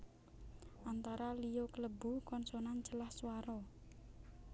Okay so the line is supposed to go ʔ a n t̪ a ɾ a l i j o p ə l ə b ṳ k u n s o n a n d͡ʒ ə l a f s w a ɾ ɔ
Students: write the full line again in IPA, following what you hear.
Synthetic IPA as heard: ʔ a n t̪ a ɾ a l i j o k ə l ə b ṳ k ɔ n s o n a n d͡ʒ ə l a h s w a ɾ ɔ